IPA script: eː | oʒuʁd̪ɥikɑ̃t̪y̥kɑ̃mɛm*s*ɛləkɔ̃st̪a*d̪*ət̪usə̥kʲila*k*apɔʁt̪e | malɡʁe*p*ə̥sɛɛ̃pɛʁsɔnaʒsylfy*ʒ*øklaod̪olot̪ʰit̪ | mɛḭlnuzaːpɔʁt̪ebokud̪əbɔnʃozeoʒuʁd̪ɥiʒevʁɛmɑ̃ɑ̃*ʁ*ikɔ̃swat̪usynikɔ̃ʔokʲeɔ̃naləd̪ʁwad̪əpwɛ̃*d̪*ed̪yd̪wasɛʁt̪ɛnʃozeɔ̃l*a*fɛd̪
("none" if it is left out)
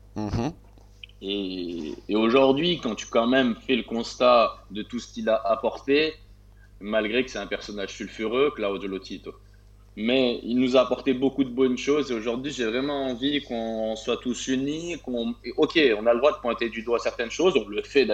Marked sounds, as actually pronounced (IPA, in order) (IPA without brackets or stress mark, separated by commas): f, d̪, ʔ, k, ʁ, v, t̪, ə